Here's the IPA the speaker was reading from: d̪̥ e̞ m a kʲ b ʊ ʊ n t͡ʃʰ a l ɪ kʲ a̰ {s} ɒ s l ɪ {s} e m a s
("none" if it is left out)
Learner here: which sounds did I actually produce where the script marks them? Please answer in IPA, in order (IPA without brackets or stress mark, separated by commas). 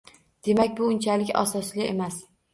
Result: s, none